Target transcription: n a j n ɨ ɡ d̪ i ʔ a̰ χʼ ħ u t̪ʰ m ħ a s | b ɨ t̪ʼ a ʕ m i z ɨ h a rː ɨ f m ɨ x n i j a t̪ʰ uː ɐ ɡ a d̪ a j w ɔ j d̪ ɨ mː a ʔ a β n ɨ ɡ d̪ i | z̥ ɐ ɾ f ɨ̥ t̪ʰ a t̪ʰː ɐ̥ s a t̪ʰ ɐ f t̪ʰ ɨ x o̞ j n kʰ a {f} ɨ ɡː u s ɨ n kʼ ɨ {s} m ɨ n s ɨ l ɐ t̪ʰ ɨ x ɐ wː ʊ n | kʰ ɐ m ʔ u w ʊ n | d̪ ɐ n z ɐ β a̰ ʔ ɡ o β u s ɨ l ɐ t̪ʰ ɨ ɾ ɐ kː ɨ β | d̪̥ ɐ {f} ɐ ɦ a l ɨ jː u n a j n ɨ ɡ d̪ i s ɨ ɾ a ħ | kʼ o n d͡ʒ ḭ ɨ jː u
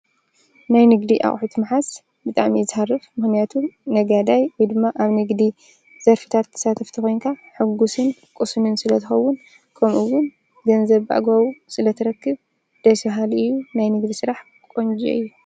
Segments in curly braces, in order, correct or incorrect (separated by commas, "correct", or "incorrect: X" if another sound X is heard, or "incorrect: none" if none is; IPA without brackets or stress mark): incorrect: ħ, correct, incorrect: s